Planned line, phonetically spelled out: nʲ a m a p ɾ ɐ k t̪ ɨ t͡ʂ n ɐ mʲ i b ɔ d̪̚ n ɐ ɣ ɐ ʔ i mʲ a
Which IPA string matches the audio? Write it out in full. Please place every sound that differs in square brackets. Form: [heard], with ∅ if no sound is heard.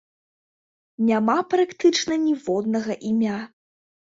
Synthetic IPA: nʲ a m a p ɾ [a] k t̪ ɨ t͡ʂ n ɐ [nʲ] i [v] ɔ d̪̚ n ɐ ɣ ɐ ʔ i mʲ a

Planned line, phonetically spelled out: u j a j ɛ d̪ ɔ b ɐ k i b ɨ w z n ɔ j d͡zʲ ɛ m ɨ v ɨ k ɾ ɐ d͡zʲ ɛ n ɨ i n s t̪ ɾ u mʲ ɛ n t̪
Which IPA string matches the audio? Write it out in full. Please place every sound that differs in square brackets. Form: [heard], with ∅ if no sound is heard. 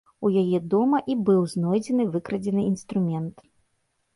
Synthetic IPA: u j a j ɛ d̪ ɔ [m] ɐ [ʔ] i b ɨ w z n ɔ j d͡zʲ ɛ [n] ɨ v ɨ k ɾ ɐ d͡zʲ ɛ n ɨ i n s t̪ ɾ u mʲ ɛ n t̪

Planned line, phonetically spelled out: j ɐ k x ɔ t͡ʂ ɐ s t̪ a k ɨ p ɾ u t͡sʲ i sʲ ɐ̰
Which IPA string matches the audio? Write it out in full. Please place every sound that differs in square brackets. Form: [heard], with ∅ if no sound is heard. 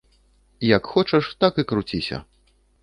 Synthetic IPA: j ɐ k x ɔ t͡ʂ ɐ [ʂ] t̪ a k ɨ [k] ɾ u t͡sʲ i sʲ ɐ̰

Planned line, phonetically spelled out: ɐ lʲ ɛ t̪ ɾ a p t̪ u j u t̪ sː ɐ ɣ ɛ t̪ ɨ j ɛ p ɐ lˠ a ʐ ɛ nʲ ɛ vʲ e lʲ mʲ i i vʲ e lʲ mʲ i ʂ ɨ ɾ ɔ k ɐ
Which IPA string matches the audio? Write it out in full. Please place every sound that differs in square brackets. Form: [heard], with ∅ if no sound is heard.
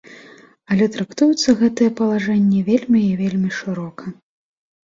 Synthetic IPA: ɐ lʲ ɛ t̪ ɾ a [k] t̪ u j u t̪ sː ɐ ɣ ɛ t̪ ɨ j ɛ p ɐ lˠ a ʐ ɛ [nʲː] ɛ vʲ e lʲ mʲ i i vʲ e lʲ mʲ i ʂ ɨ ɾ ɔ k ɐ

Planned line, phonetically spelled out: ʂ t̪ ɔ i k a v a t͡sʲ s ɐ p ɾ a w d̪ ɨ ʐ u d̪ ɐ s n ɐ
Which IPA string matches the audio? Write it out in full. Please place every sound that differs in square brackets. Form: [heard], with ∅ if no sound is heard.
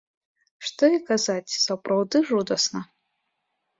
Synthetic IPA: ʂ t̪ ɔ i k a [z] a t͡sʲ s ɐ p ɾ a w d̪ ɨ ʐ u d̪ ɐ s n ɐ

